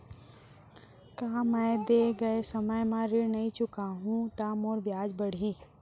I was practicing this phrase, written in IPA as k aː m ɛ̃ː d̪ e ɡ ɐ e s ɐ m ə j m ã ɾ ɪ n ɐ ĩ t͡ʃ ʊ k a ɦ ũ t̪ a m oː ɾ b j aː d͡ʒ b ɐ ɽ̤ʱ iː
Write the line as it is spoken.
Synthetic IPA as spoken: k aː m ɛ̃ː d̪ e ɡ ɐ e s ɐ m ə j m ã ɾ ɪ n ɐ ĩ t͡ʃ ʊ k a ɦ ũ t̪ a m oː ɾ b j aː d͡ʒ b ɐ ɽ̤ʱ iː